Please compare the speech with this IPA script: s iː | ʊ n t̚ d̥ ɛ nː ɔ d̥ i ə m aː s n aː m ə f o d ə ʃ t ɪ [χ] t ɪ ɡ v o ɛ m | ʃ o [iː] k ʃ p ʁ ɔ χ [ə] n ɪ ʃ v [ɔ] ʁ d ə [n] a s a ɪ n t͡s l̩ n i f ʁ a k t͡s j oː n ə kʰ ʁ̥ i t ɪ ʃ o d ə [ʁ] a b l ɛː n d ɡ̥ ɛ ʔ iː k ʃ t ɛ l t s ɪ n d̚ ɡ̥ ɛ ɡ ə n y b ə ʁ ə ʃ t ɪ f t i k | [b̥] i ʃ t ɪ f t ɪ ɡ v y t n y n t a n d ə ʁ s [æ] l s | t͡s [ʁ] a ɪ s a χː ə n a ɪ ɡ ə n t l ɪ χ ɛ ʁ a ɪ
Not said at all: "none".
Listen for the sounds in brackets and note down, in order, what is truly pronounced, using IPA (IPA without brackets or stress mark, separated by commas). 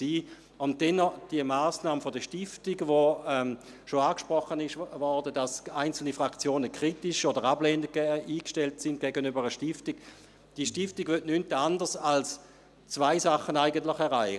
f, aː, ə, ɔ, d, ʁ, d̥, a, v